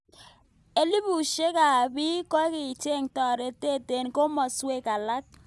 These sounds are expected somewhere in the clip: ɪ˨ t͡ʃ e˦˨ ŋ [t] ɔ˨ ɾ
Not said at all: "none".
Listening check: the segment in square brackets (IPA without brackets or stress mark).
t